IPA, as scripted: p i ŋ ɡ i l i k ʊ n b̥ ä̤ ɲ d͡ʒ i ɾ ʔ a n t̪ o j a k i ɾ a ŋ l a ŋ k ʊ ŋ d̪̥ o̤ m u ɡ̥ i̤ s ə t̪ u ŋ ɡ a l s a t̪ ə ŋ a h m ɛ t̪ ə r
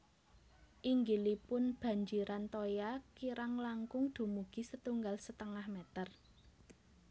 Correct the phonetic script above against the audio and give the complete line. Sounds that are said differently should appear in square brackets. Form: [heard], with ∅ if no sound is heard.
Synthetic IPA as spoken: [ʔ] i ŋ ɡ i l i [p] ʊ n b̥ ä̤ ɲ d͡ʒ i ɾ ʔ a n t̪ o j a k i ɾ a ŋ l a ŋ k ʊ ŋ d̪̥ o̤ m u ɡ̥ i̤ s ə t̪ u ŋ ɡ a l s [ə] t̪ ə ŋ a h m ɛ t̪ ə r